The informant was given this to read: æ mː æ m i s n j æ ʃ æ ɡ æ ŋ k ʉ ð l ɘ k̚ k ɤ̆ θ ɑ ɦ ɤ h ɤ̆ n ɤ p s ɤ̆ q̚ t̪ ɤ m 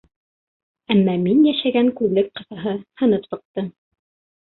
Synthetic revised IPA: æ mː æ m i n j æ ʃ æ ɡ æ ŋ k ʉ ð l ɘ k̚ q ɤ̆ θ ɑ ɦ ɤ h ɤ̆ n ɤ p s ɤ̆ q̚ t̪ ɤ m